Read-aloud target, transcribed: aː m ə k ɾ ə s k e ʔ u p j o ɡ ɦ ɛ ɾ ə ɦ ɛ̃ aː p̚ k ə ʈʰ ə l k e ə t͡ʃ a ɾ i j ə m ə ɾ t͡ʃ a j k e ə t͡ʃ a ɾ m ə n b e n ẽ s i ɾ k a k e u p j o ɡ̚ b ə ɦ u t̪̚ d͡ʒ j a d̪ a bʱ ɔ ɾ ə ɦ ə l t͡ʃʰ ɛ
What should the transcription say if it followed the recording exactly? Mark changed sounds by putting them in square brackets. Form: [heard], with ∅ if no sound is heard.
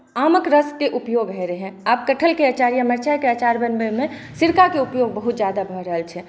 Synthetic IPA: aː m ə k ɾ ə s k e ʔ u p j o ɡ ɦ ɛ ɾ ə ɦ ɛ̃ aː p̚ k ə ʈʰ ə l k e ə t͡ʃ a ɾ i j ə m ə ɾ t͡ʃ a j k e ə t͡ʃ a ɾ [b] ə n b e [m] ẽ s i ɾ k a k e u p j o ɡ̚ b ə ɦ u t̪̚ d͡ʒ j a d̪ a bʱ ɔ ɾ ə ɦ ə l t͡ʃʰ ɛ